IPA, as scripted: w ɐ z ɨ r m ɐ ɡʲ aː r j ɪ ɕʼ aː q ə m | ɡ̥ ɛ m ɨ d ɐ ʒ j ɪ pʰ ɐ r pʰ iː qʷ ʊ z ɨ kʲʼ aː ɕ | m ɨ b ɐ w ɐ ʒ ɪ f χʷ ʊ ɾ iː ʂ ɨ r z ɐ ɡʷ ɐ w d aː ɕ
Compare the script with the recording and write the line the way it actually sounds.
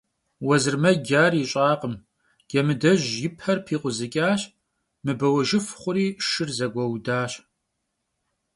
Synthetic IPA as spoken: w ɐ z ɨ r m ɐ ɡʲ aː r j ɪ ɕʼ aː q ə m | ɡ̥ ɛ m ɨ d ɐ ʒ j ɪ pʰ ɐ r pʰ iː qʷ ʊ z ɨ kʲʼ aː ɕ | m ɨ b ɐ w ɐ ʒ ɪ f χʷ ʊ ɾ iː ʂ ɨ r z ɐ ɡʷ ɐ w d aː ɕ